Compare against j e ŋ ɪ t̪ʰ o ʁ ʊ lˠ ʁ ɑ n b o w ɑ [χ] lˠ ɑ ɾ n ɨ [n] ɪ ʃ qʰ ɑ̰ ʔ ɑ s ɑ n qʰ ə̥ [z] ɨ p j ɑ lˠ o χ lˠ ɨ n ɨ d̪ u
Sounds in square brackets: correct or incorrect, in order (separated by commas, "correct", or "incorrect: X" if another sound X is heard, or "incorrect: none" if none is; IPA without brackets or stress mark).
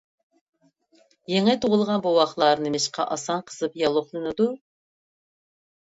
correct, incorrect: m, correct